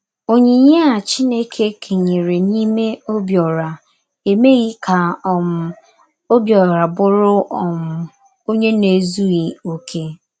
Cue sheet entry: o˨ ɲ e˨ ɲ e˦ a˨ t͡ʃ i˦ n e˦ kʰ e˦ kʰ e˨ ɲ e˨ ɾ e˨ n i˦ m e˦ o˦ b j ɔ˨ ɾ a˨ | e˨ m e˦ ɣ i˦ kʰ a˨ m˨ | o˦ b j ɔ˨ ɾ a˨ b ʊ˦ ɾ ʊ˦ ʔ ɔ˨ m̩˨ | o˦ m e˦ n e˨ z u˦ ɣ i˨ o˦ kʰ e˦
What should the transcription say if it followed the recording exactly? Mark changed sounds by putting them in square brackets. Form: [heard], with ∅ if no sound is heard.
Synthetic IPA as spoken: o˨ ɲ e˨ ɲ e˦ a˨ t͡ʃ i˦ n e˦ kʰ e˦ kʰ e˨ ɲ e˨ ɾ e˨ n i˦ m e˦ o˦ b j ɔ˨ ɾ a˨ | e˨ m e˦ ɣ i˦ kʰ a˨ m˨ | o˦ b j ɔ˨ ɾ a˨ b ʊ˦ ɾ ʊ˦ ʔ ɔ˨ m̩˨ | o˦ [ɲ] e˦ n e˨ z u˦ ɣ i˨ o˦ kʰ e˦